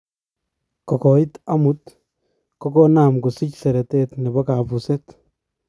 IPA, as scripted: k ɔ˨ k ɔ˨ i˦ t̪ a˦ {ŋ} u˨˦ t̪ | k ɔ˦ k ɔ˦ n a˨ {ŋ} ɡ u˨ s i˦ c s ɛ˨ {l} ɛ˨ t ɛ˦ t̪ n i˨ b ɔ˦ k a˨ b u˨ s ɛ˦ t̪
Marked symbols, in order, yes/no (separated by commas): no, no, no